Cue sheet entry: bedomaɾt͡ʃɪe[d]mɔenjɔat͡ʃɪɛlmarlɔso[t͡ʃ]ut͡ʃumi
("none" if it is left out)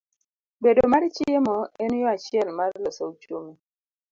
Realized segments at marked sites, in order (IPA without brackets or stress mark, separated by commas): none, none